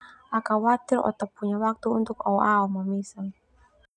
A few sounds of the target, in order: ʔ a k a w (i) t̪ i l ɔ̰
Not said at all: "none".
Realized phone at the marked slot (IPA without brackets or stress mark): a